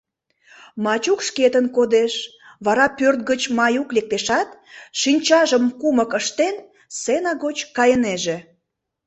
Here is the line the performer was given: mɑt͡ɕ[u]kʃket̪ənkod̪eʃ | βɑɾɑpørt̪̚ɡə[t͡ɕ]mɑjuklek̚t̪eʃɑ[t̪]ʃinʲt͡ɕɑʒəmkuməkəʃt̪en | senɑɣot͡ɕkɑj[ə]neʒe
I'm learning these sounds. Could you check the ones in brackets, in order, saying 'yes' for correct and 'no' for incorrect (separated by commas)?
yes, yes, yes, yes